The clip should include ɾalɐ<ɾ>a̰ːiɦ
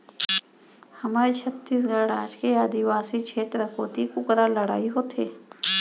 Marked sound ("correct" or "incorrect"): incorrect